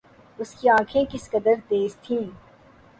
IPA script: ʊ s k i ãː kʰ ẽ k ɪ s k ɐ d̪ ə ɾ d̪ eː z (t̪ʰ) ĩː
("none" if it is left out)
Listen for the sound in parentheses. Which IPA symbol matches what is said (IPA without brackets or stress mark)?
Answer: t̪ʰ